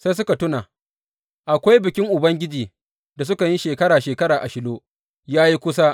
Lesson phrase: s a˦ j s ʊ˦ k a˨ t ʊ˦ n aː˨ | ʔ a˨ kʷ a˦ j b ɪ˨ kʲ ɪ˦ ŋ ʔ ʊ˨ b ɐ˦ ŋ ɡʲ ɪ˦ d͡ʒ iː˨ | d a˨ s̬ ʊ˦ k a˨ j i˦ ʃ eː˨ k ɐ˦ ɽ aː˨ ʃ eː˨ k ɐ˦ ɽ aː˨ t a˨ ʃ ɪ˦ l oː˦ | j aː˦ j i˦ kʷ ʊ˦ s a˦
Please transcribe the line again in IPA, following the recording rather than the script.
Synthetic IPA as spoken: s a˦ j s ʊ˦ k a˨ t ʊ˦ n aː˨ | ʔ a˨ kʷ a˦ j b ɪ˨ kʲ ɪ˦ ŋ ʔ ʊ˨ b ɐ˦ ŋ ɡʲ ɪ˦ d͡ʒ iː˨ | d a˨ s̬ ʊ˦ k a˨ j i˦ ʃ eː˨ k ɐ˦ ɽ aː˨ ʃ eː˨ k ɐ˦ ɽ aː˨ ʔ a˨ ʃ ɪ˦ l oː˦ | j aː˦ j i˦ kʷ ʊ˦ s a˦

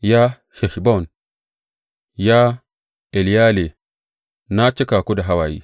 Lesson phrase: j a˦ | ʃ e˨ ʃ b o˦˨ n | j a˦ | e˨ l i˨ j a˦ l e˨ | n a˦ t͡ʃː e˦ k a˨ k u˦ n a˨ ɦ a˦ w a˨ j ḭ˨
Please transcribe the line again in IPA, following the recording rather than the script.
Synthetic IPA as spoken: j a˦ | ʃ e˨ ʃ b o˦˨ n | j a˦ | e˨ l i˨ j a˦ l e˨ | n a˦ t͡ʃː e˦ k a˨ k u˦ d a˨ ɦ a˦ w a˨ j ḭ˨

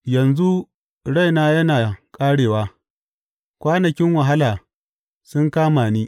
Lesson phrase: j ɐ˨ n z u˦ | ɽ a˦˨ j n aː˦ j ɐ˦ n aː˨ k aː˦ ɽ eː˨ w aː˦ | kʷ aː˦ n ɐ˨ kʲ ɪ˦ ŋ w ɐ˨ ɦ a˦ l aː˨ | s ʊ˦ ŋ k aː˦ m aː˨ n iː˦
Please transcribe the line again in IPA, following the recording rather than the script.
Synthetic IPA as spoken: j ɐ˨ n z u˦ | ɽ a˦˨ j n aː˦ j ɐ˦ n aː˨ kʼ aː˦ ɽ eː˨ w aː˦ | kʷ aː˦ n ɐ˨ kʲ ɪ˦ ŋ w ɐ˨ ɦ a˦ l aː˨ | s ʊ˦ ŋ k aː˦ m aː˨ n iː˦

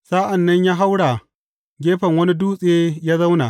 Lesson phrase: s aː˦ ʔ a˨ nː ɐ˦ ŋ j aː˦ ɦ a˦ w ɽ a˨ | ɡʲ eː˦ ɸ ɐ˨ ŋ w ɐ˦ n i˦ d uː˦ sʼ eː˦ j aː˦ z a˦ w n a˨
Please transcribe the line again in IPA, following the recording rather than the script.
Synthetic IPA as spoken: s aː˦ ʔ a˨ nː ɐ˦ ɲ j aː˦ ɦ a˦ w ɽ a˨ | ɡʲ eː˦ ɸ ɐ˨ ŋ w ɐ˦ n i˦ d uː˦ sʼ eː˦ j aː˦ z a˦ w n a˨

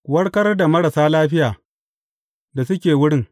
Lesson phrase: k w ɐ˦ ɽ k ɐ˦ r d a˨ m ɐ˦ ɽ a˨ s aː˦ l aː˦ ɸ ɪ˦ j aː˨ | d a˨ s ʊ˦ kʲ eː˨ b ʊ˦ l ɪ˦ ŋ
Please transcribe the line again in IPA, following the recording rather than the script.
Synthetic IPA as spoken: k w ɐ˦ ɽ k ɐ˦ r d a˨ m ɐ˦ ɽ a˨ s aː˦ l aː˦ ɸ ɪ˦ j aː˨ | d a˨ s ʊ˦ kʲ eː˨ w ʊ˦ ɽ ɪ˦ ŋ

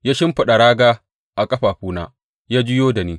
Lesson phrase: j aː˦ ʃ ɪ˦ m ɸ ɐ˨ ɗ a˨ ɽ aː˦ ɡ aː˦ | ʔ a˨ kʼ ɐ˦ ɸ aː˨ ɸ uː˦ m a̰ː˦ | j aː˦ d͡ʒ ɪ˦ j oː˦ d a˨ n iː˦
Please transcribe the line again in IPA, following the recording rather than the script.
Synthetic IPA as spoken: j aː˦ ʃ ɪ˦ m ɸ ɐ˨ ɗ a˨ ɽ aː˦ ɡ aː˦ | ʔ a˨ kʼ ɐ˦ ɸ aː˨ ɸ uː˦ n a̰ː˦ | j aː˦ d͡ʒ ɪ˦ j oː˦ d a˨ n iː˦

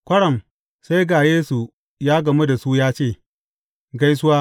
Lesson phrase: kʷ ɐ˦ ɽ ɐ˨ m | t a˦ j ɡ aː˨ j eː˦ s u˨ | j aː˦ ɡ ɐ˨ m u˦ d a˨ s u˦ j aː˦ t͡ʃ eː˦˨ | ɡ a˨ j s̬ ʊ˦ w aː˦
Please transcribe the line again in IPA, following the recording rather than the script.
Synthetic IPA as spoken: kʷ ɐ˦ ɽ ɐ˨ m | s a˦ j ɡ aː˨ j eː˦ s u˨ | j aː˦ ɡ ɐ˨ m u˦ d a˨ s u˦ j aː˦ t͡ʃ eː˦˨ | ɡ a˦ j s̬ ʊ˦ w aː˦

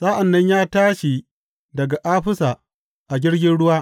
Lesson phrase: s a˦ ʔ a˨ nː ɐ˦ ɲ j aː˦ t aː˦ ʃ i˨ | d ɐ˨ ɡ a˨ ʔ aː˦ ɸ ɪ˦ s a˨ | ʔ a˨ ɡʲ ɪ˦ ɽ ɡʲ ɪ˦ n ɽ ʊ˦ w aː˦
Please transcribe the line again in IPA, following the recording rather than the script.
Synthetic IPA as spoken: s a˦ ʔ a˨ nː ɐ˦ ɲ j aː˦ t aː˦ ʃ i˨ | d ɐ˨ ɡ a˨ ʔ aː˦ ɸ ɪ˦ s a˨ | ʔ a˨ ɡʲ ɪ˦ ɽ ɡʲ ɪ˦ n ɽ ʊ˦ w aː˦

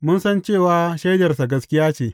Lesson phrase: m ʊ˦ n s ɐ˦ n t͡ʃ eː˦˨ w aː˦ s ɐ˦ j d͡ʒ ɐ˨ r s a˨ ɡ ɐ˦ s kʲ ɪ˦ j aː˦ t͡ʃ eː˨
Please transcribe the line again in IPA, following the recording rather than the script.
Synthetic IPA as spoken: m ʊ˦ n s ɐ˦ n t͡ʃ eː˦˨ w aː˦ ʃ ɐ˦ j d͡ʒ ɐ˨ r s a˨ ɡ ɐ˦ s kʲ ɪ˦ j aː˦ t͡ʃ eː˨

